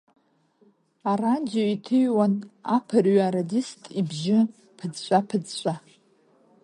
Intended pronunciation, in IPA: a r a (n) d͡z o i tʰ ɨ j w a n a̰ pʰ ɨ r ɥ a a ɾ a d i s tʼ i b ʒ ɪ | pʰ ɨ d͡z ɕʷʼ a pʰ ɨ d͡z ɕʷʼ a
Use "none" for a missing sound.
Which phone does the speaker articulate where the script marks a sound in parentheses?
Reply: n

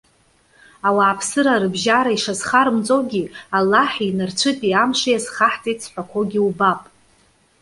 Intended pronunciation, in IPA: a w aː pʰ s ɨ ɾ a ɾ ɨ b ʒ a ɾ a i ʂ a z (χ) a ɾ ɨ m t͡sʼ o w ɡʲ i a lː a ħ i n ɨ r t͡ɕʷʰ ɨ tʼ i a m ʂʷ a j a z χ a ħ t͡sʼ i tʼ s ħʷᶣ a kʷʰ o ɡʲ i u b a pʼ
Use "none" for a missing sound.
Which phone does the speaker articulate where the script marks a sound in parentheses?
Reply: χ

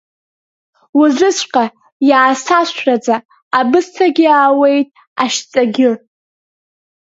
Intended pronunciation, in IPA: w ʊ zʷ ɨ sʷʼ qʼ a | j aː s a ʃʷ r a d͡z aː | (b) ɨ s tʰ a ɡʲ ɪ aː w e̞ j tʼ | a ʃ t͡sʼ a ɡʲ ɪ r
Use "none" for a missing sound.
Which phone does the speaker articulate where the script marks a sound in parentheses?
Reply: b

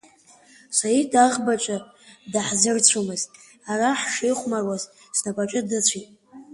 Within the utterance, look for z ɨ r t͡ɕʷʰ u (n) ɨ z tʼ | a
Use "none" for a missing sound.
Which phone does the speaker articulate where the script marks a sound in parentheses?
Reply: m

